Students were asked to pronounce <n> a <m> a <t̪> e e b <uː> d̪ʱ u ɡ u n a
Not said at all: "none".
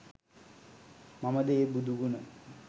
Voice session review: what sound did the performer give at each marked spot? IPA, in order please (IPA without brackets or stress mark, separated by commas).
m, m, d̪, u